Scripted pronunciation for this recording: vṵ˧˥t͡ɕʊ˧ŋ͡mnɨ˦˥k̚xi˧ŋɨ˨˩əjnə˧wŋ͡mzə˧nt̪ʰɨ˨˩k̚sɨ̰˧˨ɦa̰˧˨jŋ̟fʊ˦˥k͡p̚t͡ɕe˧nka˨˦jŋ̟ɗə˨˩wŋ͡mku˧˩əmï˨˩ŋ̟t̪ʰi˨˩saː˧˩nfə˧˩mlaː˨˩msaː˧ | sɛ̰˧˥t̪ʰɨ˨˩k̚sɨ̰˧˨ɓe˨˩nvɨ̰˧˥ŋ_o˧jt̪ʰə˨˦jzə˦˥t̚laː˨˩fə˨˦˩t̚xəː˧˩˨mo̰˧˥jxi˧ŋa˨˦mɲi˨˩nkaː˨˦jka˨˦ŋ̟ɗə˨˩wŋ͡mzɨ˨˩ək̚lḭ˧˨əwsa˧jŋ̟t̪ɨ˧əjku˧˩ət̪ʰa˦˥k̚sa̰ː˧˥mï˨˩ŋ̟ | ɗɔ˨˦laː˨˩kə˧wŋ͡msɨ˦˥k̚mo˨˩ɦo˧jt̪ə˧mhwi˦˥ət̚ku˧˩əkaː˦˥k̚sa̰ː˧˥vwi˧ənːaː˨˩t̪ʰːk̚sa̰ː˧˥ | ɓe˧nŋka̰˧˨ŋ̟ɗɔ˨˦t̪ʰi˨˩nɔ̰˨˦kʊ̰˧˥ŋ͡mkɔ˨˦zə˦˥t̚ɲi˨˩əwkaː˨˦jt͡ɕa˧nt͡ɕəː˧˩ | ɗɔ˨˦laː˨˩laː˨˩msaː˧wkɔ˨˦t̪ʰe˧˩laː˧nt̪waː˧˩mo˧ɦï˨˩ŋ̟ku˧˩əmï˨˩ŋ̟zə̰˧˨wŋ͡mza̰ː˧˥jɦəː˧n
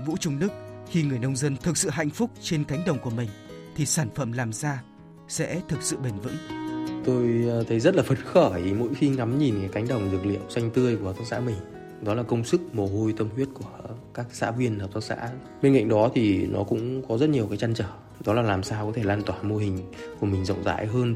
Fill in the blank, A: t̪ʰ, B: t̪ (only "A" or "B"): B